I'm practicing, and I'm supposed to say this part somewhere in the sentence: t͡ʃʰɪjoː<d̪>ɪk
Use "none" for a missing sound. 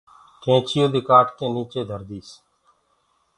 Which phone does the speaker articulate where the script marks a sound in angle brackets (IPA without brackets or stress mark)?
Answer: d̪